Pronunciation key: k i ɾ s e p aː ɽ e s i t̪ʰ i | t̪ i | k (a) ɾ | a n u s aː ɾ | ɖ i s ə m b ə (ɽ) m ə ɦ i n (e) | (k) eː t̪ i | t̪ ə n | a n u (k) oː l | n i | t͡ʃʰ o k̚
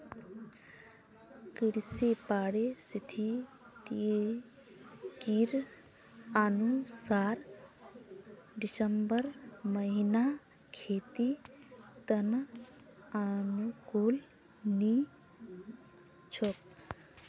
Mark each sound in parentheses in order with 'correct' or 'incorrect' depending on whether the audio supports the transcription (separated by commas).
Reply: incorrect, incorrect, incorrect, incorrect, correct